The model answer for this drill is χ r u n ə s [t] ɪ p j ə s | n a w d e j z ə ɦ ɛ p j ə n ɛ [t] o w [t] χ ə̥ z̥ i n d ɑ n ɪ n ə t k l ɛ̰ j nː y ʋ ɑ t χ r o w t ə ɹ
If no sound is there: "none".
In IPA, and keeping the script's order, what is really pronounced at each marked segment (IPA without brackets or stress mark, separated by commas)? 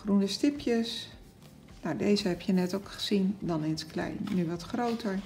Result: t, t, k